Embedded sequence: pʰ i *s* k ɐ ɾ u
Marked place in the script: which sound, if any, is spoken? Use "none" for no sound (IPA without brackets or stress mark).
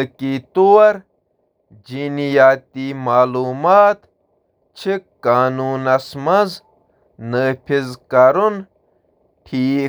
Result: z